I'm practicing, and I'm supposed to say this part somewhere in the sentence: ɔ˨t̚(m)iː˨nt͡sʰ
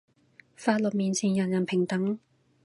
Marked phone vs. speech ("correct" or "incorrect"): correct